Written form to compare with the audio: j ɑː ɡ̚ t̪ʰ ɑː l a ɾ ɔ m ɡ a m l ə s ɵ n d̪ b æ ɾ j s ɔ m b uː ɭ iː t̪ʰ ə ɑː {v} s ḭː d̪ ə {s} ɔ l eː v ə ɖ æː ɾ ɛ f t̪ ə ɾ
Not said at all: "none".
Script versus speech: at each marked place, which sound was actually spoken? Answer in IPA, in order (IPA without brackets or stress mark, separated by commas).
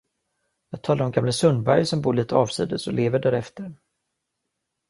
v, s